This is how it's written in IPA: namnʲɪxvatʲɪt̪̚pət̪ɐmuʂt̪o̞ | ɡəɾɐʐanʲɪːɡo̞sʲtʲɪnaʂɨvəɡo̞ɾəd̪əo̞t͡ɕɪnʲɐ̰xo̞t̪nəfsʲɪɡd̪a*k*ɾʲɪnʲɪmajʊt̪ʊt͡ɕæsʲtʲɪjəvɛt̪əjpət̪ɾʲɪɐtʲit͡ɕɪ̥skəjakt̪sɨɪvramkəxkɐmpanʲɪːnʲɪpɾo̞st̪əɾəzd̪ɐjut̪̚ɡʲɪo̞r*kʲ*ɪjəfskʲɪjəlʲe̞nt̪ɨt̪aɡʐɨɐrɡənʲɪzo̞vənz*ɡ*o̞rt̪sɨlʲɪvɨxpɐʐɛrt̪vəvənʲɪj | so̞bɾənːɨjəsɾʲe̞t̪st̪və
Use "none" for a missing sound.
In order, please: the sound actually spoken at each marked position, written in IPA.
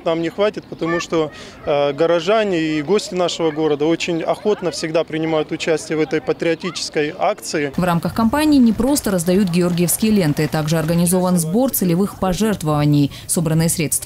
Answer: p, ɡʲ, b

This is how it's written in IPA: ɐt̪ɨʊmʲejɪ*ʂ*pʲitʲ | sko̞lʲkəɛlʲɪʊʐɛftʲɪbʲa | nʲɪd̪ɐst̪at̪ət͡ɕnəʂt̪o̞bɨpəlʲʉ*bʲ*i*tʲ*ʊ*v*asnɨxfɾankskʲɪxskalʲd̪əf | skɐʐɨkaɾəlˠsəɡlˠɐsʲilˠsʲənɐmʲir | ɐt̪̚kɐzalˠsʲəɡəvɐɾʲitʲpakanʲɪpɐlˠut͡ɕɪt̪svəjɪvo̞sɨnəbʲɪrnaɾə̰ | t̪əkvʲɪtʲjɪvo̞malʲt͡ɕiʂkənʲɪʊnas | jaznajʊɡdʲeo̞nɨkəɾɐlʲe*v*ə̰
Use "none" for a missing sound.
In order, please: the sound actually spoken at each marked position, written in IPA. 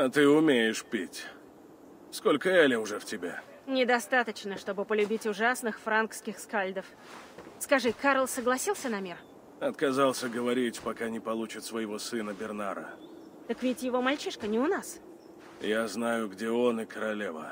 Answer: ʂ, bʲ, tʲ, ʐ, v

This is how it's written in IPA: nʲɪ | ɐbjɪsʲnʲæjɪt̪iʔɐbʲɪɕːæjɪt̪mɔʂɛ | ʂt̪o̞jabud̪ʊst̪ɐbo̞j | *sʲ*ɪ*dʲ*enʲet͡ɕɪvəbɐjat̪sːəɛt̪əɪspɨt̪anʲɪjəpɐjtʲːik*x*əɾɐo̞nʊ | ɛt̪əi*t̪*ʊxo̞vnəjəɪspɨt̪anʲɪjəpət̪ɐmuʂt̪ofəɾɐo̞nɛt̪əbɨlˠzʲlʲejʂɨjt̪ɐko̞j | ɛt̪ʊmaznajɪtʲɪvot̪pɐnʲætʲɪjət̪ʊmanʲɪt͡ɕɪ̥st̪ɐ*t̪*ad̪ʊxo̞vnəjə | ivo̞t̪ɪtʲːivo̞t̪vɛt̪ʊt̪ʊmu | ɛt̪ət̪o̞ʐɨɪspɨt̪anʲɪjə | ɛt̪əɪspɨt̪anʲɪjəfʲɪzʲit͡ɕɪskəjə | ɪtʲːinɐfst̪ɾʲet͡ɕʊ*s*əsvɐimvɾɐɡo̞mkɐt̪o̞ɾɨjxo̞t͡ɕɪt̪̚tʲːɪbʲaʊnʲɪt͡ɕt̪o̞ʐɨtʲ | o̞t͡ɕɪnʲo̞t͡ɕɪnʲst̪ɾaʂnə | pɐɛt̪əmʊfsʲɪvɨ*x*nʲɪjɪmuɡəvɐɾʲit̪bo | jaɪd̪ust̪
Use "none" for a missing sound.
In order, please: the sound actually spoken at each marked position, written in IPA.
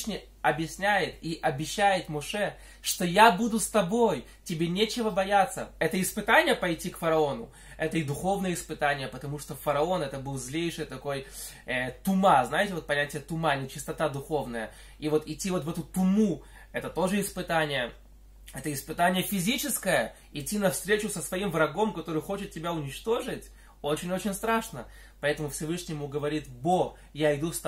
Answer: tʲ, bʲ, f, d̪, t̪, s, ʂ

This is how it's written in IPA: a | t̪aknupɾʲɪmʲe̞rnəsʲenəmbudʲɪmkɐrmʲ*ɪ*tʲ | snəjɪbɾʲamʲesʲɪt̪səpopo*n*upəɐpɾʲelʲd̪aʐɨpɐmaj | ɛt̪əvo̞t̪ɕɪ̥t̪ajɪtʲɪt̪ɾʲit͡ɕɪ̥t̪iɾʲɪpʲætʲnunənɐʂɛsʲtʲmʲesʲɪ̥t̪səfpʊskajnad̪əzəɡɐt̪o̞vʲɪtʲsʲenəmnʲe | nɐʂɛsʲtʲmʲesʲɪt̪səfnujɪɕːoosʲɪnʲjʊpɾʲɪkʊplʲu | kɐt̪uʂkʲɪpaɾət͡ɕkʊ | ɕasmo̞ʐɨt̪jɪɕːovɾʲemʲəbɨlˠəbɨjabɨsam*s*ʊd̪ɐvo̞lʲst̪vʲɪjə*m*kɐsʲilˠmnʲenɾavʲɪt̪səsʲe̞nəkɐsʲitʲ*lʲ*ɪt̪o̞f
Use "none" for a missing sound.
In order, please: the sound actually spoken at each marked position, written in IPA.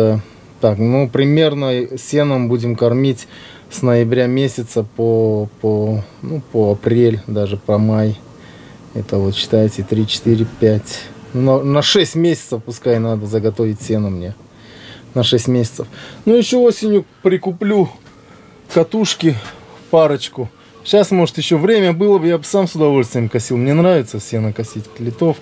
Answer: i, n, s, m, lʲ

